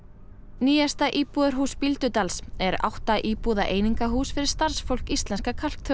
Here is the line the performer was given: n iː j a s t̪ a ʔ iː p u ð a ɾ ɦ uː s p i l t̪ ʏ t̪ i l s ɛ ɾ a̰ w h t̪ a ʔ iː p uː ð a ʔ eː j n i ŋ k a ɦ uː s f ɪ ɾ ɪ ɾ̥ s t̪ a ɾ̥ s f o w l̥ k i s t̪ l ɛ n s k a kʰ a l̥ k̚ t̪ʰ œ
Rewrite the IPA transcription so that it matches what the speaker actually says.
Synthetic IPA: n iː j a s t̪ a ʔ iː p u ð a ɾ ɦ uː s p i l t̪ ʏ t̪ a l s ɛ ɾ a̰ w h t̪ a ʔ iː p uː ð a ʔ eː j n i ŋ k a ɦ uː s f ɪ ɾ ɪ ɾ̥ s t̪ a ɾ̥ s f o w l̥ k i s t̪ l ɛ n s k a kʰ a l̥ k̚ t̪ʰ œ